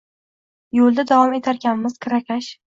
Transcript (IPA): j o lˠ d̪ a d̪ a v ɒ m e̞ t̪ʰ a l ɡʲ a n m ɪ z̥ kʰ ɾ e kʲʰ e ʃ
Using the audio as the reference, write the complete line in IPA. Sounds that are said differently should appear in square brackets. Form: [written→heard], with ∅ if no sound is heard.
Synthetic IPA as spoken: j o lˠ d̪ a d̪ a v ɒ m e̞ t̪ʰ a [l→ɾ] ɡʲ a n m ɪ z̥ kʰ ɾ [e→a] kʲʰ [e→a] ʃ